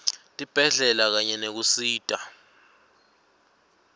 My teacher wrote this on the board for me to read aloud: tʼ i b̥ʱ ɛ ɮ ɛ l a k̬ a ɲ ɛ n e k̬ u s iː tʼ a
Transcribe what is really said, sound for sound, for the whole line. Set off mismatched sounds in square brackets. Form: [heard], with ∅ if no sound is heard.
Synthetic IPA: tʼ i b̥ʱ ɛ ɮ ɛ l a k̬ a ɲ ɛ n e k̬ u s iː tʼ a